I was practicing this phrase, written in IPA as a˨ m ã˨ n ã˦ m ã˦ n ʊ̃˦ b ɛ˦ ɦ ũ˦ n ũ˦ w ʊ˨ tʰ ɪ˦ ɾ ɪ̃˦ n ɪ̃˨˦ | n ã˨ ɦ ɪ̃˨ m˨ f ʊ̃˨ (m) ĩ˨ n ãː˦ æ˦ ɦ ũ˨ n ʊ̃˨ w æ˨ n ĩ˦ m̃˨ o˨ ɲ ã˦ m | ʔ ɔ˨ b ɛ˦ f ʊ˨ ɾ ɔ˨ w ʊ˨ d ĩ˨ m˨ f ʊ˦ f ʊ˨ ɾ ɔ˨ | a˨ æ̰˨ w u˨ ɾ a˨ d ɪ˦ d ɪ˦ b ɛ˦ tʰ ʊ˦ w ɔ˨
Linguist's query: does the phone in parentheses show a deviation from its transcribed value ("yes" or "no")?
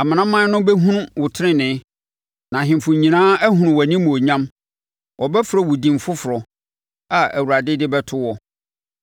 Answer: yes